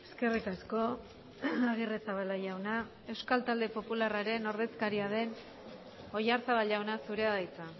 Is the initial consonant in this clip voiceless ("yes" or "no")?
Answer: yes